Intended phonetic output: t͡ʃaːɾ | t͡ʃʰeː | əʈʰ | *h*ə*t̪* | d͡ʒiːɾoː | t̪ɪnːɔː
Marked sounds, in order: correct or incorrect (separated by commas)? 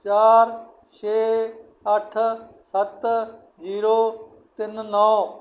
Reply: incorrect, correct